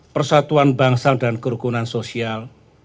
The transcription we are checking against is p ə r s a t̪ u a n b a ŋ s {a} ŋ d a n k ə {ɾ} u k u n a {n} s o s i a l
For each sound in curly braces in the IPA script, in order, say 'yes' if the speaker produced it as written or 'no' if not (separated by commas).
yes, yes, yes